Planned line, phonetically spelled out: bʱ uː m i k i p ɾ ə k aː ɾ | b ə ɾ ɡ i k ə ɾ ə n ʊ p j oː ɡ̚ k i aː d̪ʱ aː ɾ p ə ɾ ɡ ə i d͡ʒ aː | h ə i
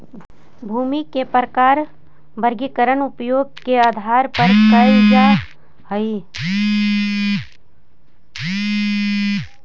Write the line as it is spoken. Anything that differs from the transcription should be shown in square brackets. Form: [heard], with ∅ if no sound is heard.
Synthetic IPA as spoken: bʱ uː m i k [e] p ɾ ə k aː ɾ | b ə ɾ ɡ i k ə ɾ ə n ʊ p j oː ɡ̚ k [e] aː d̪ʱ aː ɾ p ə ɾ [k] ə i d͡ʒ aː | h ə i